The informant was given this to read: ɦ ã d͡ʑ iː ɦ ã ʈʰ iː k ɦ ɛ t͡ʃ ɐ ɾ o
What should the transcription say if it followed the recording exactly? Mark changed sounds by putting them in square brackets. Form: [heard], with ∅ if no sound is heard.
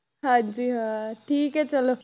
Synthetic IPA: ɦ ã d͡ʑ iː ɦ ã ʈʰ iː k ɦ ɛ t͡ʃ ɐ [l] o